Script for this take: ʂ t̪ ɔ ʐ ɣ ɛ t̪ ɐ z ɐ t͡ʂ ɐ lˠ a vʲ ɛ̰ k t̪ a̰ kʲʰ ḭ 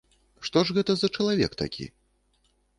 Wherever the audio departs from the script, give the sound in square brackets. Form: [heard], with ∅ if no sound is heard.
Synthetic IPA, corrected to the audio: ʂ t̪ ɔ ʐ ɣ ɛ t̪ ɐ z ɐ t͡ʂ ɐ lˠ a vʲ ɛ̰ k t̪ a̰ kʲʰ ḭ